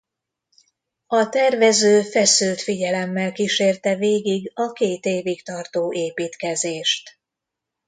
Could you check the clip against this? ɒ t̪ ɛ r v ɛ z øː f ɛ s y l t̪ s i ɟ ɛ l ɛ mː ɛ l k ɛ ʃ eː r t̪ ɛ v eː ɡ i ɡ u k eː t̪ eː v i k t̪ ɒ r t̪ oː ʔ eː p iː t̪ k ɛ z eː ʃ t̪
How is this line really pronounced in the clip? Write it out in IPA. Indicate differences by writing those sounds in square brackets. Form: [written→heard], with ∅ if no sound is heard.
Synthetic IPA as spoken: ɒ t̪ ɛ r v ɛ z øː f ɛ s y l t̪ [s→f] i ɟ ɛ l ɛ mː ɛ l k [ɛ→i] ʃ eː r t̪ ɛ v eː ɡ i ɡ [u→ɒ] k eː t̪ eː v i k t̪ ɒ r t̪ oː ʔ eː p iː t̪ k ɛ z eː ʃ t̪